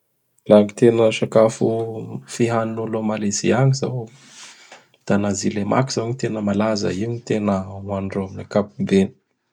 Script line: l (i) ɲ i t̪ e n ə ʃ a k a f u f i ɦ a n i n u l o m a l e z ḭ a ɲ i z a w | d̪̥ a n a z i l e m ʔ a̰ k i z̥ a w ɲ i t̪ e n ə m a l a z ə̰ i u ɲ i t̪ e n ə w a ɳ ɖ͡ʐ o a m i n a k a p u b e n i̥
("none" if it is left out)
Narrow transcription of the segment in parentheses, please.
a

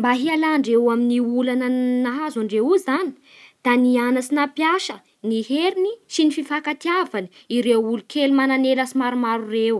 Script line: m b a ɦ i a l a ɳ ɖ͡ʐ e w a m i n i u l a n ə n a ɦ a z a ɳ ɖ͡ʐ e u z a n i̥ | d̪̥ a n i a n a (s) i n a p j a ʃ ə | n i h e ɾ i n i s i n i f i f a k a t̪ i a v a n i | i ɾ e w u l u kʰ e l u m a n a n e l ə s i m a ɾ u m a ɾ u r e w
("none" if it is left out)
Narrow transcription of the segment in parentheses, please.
s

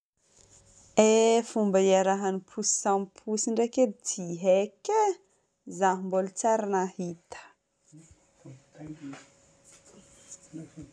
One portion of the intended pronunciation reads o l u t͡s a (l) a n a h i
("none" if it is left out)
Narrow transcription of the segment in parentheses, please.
ɾ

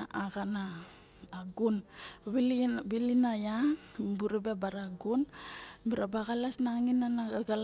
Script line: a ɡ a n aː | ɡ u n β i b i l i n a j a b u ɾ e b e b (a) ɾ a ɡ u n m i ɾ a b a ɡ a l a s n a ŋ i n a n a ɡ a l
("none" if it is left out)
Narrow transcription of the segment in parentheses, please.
a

